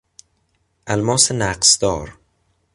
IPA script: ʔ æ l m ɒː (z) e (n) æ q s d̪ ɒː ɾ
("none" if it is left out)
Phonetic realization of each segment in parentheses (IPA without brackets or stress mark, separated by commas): s, n